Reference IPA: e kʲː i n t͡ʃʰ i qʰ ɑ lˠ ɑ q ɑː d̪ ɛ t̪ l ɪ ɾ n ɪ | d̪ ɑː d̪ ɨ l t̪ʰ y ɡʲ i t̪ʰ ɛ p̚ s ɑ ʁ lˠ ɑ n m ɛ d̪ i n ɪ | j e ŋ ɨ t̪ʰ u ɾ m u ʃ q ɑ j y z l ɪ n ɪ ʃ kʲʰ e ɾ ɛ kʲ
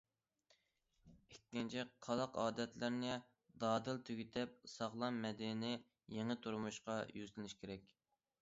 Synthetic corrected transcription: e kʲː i n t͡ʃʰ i qʰ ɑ lˠ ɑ q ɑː d̪ ɛ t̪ l ɪ ɾ n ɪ | d̪ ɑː d̪ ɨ l t̪ʰ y ɡʲ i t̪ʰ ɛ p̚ s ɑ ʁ lˠ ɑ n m ɛ d̪ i n ɪ | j e ŋ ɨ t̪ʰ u ɾ m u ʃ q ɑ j y z l ɪ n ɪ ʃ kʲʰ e ɾ ɛ kʲ